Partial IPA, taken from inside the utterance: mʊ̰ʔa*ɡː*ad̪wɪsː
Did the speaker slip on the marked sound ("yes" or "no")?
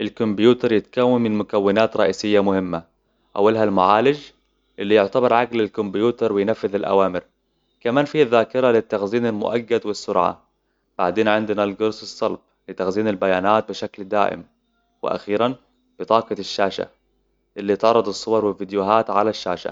no